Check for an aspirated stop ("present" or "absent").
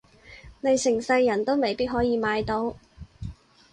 absent